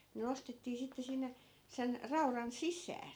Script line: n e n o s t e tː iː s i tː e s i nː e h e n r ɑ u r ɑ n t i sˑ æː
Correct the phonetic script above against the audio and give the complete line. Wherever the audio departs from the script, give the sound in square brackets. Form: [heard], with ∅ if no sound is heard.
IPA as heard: n e n o s t e tː iː s i tː e s i nː e [s] e n r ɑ u r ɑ n [s] i sˑ æː